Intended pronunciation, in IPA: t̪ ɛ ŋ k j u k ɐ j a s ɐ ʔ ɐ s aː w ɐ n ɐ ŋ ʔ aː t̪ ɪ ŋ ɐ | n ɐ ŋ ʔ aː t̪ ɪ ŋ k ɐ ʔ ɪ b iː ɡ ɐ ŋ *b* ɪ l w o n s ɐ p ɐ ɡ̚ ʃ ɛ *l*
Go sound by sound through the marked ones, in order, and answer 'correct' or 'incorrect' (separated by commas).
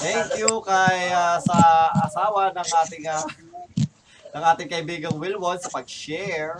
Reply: incorrect, incorrect